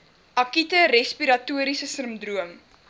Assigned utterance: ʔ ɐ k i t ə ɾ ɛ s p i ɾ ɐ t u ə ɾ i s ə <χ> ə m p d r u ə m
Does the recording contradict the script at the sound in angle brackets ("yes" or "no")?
yes